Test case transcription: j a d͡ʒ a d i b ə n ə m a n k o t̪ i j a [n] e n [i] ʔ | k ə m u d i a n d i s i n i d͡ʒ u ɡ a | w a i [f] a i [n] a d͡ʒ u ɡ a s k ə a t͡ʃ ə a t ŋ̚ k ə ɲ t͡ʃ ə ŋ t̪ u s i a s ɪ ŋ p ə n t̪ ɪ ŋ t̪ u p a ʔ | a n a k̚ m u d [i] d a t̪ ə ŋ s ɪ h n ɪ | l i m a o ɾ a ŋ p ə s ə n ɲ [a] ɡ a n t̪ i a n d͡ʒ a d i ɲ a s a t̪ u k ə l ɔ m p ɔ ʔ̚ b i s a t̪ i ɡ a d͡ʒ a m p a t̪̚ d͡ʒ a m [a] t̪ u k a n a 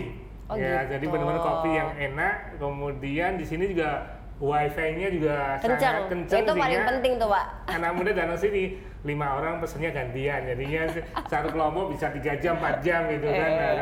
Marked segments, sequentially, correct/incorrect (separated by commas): incorrect, incorrect, correct, incorrect, incorrect, correct, incorrect